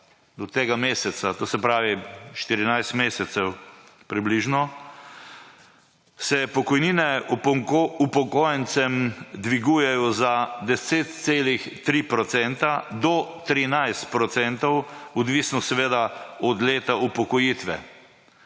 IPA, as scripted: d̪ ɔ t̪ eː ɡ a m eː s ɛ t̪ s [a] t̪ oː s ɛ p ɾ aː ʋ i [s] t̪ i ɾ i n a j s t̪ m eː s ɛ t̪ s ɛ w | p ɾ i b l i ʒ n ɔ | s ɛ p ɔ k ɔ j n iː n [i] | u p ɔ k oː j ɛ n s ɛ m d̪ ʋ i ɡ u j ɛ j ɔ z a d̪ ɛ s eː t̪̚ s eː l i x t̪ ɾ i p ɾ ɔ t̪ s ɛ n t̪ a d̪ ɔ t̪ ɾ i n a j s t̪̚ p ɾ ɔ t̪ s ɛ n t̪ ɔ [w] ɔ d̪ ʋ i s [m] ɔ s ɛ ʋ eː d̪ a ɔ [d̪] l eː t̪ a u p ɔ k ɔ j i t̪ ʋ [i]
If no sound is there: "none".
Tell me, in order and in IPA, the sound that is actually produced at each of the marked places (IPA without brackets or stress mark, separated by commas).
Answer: a, ʃ, ɛ, w, n, d̪, ɛ